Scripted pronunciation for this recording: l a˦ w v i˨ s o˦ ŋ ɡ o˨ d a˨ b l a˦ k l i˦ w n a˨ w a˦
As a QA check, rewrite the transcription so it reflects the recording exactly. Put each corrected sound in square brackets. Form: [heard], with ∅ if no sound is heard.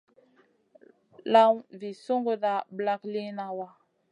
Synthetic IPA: l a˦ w v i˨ s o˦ ŋ ɡ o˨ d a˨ b l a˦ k l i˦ [∅] n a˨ w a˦